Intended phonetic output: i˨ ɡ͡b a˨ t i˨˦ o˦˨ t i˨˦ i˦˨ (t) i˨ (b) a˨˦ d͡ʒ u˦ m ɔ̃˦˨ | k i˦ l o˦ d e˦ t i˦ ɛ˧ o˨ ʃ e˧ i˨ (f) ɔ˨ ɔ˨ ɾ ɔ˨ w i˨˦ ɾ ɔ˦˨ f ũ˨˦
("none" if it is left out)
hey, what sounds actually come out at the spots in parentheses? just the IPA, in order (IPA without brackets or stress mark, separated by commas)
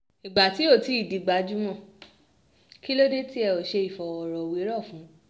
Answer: d, ɡ͡b, f